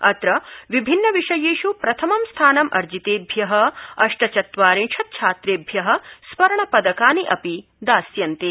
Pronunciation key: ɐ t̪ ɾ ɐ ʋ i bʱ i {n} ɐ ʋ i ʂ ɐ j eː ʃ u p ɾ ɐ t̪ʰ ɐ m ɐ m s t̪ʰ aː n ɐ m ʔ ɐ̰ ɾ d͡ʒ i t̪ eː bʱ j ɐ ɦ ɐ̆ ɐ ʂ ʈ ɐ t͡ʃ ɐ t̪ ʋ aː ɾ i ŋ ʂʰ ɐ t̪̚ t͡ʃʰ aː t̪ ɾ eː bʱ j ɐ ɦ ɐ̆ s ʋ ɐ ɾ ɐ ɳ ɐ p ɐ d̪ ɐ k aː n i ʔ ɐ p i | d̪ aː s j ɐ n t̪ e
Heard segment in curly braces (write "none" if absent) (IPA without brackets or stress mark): nː